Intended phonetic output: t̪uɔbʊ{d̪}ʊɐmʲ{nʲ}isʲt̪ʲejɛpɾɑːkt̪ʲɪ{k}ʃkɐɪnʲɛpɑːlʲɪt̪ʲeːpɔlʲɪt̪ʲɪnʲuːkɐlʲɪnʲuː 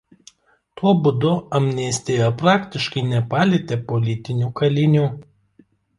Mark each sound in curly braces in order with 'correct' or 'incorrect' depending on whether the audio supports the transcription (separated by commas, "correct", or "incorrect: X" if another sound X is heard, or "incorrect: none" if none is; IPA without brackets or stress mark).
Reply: correct, correct, incorrect: none